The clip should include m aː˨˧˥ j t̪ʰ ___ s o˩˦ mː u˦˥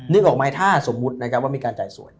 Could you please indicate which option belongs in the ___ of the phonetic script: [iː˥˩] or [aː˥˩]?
aː˥˩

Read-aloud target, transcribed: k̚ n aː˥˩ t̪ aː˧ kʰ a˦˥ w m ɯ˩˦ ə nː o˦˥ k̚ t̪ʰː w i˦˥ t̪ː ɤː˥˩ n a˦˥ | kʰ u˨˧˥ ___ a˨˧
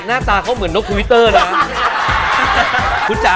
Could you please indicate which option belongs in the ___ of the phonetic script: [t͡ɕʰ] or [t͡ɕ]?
t͡ɕ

